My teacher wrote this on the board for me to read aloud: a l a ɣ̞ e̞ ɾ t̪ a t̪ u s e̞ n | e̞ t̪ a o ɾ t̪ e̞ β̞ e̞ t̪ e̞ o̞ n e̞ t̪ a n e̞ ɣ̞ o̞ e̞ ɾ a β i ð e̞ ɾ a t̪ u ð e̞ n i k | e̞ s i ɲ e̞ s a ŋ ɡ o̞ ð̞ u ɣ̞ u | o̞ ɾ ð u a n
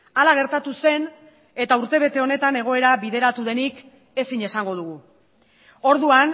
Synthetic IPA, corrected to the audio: a l a ɣ̞ e̞ ɾ t̪ a t̪ u s e̞ n | e̞ t̪ a u ɾ t̪ e̞ β̞ e̞ t̪ e̞ o̞ n e̞ t̪ a n e̞ ɣ̞ o̞ e̞ ɾ a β i ð e̞ ɾ a t̪ u ð e̞ n i k | e̞ s i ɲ e̞ s a ŋ ɡ o̞ ð̞ u ɣ̞ u | o̞ ɾ ð u a n